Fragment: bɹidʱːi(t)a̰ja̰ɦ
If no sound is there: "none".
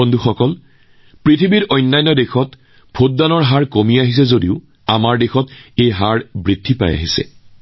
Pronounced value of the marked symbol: p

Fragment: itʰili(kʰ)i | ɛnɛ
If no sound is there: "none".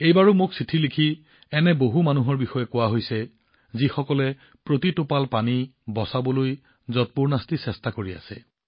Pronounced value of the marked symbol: kʰ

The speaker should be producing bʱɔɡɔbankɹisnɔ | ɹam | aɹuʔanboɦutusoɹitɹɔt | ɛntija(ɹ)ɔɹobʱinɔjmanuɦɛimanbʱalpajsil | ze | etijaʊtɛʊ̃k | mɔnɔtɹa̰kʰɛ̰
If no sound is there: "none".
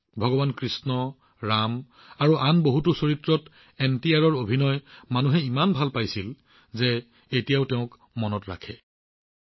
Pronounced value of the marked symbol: ɹ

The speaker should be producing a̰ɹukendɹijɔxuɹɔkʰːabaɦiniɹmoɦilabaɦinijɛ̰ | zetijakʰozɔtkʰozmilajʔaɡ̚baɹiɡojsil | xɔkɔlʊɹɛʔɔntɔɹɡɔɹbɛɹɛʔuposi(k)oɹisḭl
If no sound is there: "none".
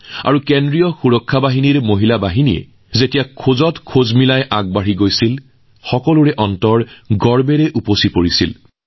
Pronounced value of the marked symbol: p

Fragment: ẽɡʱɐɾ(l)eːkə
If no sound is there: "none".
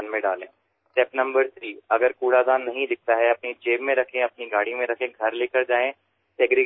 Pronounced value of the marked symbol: l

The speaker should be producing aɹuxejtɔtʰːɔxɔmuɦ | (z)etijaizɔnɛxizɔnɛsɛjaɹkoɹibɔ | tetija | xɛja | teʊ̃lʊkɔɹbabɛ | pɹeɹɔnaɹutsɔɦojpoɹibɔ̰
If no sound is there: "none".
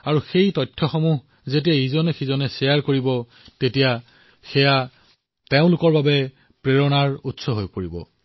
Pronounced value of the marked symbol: z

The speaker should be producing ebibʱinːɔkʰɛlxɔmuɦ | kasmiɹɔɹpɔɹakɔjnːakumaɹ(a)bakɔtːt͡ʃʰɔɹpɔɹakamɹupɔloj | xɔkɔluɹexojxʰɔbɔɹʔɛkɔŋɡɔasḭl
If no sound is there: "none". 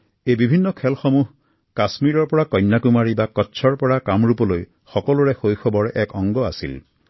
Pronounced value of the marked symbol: i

